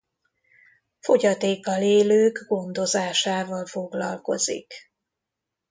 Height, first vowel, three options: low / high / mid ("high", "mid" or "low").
mid